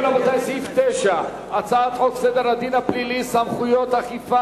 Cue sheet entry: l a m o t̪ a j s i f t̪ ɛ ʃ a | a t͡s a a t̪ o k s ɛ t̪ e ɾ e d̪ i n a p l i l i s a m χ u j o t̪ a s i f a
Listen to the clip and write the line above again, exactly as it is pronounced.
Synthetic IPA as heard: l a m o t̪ a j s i f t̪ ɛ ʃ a | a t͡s a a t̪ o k s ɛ d̪ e ɾ a d̪ i n a p l i l i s a m χ u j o t̪ a χ i f a